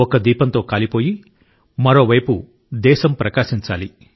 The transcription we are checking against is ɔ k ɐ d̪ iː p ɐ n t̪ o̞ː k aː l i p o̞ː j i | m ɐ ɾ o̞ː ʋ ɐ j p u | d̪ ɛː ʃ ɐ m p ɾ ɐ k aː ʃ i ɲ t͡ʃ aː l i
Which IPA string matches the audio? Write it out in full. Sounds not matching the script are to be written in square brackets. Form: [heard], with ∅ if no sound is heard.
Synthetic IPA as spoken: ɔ k ɐ d̪ iː p ɐ n t̪ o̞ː k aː l i p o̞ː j i | m ɐ ɾ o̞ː ʋ ɐ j p u | d̪ ɛː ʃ ɐ m p ɾ ɐ k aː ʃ i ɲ t͡ʃ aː l i